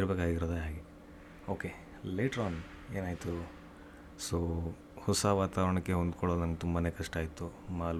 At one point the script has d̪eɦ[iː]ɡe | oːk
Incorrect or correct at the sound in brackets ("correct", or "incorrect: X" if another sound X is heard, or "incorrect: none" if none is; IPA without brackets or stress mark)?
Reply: incorrect: aː